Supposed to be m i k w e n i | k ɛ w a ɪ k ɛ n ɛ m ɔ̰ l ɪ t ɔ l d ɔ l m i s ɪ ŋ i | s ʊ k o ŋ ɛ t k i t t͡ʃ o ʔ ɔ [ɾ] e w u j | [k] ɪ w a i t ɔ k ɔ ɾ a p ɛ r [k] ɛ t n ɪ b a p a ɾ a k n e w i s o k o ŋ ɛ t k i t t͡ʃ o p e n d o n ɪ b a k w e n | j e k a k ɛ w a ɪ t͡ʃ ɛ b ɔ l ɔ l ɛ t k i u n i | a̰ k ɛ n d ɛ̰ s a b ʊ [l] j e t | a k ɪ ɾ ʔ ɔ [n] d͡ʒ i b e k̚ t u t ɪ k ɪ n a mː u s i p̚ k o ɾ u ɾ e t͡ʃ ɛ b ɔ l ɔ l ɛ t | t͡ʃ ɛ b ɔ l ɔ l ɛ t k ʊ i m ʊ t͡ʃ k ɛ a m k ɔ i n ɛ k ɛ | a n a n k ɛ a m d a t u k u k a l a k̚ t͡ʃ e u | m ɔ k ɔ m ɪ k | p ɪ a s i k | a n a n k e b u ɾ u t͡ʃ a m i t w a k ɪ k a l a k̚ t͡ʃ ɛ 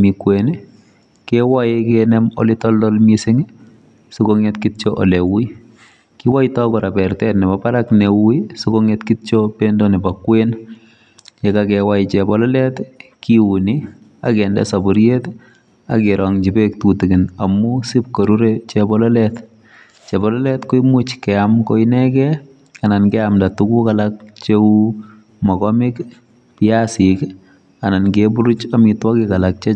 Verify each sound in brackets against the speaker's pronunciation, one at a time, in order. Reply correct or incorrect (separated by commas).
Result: incorrect, correct, incorrect, incorrect, incorrect